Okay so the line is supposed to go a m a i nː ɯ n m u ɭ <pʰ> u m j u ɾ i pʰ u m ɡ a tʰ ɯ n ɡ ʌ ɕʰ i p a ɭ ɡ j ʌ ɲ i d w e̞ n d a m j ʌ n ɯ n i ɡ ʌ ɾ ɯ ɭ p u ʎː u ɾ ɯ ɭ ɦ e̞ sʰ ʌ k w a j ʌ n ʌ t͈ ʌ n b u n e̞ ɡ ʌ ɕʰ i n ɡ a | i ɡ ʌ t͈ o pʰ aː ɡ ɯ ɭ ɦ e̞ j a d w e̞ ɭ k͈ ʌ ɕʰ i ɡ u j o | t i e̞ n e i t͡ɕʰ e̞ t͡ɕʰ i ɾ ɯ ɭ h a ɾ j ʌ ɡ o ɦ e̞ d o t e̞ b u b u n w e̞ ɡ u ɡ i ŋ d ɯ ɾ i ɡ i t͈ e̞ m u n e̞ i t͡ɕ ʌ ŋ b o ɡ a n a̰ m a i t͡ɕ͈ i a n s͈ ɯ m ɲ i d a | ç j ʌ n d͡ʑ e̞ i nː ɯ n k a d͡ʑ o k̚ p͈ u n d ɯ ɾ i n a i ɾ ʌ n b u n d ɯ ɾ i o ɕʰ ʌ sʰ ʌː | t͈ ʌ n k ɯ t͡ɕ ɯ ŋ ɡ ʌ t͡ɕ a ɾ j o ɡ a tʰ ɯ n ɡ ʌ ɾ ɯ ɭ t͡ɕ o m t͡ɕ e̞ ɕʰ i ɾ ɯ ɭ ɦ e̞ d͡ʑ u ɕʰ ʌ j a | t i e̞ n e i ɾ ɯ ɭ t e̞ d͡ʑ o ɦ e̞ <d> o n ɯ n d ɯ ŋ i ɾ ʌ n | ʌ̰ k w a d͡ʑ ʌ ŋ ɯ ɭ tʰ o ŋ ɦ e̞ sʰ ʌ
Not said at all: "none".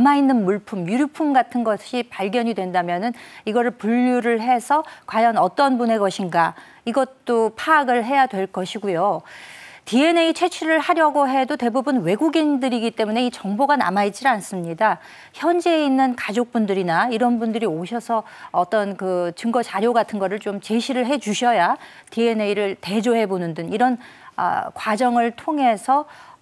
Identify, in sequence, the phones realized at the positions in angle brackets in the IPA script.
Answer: pʰ, b

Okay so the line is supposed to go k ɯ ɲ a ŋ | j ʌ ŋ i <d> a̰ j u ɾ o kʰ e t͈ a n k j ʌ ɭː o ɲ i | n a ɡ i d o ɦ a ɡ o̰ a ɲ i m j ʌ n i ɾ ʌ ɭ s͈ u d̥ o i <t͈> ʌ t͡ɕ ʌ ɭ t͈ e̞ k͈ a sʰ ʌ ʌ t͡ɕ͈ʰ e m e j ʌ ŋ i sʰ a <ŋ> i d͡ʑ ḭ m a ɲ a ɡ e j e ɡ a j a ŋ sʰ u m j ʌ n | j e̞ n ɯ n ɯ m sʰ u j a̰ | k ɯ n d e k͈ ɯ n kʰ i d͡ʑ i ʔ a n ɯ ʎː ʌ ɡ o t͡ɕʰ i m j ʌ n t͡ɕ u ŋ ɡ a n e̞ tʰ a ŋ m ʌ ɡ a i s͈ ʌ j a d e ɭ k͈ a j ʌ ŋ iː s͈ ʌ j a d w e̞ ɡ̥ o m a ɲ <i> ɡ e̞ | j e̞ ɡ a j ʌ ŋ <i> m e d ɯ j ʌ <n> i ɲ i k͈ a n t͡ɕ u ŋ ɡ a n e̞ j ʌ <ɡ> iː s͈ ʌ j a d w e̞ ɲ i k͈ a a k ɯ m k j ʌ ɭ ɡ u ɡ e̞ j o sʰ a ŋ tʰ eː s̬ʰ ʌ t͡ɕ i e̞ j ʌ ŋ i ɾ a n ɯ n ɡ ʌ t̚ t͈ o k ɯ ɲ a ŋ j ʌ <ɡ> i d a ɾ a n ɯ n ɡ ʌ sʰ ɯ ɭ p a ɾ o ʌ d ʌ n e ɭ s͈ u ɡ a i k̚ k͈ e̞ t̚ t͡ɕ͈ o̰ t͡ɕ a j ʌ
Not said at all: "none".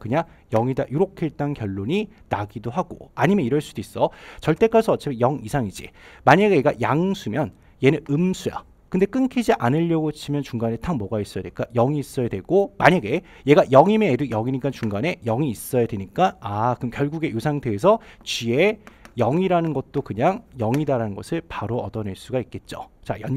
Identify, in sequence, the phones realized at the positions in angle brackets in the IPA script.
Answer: d, s͈, ŋ, a, i, ŋ, ŋ, ŋ

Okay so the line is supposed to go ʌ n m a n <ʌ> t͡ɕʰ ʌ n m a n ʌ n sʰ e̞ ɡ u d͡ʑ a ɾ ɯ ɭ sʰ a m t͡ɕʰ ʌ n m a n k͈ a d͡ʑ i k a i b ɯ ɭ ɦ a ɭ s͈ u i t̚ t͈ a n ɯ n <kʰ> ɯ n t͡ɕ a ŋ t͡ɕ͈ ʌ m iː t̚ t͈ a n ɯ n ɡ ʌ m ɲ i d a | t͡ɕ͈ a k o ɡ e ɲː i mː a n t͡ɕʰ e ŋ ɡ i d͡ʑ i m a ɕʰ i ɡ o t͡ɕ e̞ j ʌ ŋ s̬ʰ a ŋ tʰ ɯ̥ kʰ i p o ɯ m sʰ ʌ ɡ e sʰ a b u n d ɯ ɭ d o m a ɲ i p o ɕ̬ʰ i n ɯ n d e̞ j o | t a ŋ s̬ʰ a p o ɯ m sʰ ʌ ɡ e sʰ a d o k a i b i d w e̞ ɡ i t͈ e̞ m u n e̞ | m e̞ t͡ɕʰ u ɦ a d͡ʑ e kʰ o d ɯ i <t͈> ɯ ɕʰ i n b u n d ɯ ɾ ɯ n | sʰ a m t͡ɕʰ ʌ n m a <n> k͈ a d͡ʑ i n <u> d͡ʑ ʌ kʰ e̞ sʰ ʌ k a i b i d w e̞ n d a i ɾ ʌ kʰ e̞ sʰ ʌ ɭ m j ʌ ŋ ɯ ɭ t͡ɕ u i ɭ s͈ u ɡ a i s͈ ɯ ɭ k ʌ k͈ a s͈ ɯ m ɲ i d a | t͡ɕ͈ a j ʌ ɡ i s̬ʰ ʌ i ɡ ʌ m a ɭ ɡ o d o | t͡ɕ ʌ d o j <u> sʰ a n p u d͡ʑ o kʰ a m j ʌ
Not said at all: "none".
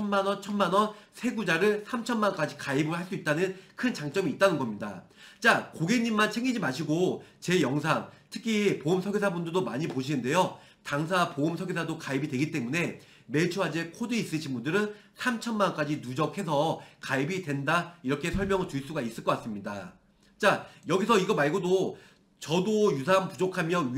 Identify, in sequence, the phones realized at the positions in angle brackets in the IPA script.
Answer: ʌ, kʰ, s͈, n, u, u

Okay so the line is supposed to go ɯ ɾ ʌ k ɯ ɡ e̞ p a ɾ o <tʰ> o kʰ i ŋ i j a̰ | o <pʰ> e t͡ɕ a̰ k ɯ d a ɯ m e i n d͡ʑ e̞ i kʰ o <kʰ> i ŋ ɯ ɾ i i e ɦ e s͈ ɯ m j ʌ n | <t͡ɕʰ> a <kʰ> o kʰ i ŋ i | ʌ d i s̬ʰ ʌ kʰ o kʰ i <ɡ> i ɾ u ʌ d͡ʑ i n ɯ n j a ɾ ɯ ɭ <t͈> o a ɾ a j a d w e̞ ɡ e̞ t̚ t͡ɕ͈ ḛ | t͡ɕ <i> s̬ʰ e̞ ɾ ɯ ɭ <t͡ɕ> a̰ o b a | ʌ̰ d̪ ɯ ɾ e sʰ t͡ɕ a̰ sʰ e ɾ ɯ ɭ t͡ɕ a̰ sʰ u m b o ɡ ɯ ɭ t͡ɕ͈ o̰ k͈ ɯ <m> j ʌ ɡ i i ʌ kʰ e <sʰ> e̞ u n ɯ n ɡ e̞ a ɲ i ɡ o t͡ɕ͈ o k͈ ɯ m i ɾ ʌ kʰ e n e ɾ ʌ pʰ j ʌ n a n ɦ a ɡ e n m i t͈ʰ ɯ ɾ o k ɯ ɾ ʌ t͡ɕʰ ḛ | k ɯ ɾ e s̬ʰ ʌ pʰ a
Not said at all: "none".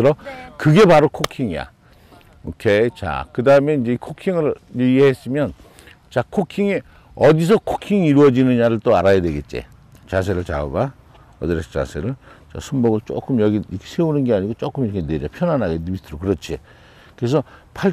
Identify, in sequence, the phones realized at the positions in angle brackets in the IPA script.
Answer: kʰ, kʰ, kʰ, t͡ɕ, kʰ, ŋ, t͈, a, t͡ɕ, m, sʰ

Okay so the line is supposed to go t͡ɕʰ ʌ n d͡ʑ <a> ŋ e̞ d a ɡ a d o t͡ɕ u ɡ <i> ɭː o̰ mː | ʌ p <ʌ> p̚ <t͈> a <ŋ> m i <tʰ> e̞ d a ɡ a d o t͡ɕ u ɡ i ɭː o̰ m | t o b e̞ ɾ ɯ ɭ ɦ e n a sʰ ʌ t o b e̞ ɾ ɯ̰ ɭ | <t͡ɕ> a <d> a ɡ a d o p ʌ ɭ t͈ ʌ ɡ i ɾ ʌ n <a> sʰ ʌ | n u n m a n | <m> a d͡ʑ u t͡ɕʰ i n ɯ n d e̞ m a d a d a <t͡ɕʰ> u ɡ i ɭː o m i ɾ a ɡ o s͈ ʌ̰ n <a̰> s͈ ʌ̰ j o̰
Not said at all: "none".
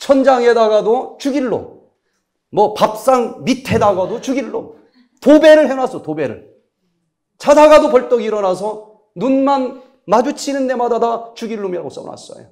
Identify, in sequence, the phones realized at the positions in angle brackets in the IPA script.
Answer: a, i, a, s͈, ŋ, tʰ, t͡ɕʰ, d, a, m, t͡ɕ, a̰

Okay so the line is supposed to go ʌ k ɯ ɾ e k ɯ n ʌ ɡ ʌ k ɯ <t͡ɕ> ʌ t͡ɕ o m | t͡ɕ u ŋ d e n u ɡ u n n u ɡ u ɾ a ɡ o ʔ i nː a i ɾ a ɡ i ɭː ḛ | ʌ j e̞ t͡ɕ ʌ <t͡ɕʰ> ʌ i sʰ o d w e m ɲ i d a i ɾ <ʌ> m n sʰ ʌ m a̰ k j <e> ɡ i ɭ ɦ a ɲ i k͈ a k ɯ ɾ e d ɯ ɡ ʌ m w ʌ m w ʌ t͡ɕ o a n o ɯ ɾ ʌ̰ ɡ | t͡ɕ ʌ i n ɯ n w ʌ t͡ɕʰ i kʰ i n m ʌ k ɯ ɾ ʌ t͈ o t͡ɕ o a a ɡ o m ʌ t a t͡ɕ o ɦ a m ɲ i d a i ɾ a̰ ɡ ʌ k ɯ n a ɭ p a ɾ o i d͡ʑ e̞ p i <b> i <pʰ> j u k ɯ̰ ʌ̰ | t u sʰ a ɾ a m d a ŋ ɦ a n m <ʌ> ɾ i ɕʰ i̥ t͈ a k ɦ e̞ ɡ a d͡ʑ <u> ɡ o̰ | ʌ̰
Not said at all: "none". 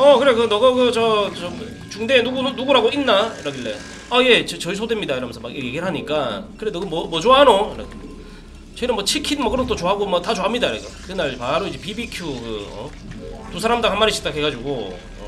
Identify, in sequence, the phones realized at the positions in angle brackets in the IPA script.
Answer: t͡ɕ, t͡ɕ, ʌ, e, b, kʰ, a, u

